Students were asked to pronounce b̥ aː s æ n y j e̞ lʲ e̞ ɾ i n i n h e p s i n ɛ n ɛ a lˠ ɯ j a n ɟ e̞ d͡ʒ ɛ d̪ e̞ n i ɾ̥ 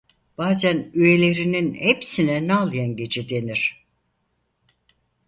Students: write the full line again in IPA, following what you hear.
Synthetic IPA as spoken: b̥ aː z æ n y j e̞ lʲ e̞ ɾ i n i n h e p s i n ɛ n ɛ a lˠ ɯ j a n ɟ e̞ d͡ʒ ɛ d̪ e̞ n i ɾ̥